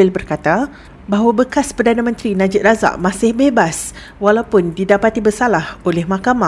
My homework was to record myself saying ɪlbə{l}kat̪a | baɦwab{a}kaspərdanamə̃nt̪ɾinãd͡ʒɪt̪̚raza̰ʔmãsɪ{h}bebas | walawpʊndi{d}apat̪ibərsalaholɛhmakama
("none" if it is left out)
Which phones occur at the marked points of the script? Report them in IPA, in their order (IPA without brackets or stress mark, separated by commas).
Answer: r, ə, h, d